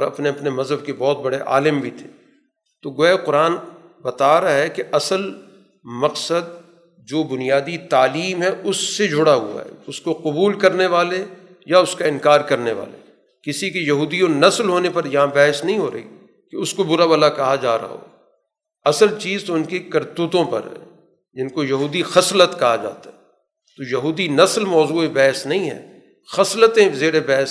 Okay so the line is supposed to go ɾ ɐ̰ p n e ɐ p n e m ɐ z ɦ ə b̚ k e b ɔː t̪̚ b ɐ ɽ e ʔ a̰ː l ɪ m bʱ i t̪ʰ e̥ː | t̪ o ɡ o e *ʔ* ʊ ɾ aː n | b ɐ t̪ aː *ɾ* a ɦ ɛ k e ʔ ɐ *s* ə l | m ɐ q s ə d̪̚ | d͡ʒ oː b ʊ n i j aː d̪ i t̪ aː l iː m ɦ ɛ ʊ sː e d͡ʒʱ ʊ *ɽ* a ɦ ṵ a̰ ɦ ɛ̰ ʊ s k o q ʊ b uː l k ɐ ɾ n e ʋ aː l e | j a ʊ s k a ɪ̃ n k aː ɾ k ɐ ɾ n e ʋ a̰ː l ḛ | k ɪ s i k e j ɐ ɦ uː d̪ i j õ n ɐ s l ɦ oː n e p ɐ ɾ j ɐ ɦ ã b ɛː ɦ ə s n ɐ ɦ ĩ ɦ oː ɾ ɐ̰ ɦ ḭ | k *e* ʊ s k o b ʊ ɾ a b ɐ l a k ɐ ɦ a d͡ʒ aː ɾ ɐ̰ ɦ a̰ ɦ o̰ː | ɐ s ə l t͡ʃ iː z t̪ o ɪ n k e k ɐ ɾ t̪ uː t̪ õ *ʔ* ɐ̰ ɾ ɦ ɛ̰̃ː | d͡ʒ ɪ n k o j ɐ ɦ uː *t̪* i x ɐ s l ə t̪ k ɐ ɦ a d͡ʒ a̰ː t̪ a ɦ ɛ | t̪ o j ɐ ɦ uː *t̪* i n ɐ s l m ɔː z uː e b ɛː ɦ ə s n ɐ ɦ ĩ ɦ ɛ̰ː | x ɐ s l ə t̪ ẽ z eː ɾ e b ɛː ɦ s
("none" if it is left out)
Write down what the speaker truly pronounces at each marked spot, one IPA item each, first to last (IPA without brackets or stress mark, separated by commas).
q, ɾ, s, ɽ, e, p, d̪, d̪